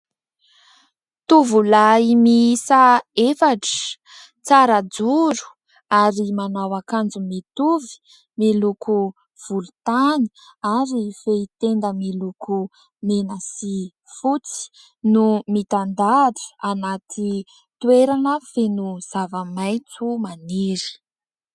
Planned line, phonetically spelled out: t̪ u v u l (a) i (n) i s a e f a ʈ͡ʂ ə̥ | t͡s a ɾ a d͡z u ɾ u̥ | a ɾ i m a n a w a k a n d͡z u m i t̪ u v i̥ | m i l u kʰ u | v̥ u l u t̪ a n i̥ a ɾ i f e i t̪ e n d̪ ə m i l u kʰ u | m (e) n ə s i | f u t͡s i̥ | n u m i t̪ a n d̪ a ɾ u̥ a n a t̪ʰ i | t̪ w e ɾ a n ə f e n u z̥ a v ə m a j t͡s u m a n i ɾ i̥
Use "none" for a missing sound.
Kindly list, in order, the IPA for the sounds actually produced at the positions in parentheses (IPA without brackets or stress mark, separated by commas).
a, m, e